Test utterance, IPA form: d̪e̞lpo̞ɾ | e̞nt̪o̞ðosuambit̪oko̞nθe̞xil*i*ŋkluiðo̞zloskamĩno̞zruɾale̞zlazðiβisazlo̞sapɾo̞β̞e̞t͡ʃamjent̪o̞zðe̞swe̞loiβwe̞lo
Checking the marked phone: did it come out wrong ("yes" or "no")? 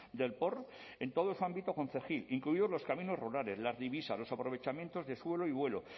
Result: no